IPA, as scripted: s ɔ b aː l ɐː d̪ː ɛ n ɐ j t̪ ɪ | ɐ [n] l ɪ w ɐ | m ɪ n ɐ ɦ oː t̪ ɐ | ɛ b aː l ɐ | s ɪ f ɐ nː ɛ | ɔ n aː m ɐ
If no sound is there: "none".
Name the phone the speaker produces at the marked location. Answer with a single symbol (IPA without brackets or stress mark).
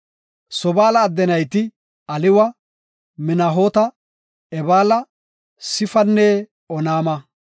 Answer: none